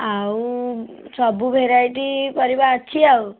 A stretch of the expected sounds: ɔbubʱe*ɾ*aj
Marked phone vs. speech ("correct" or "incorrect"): correct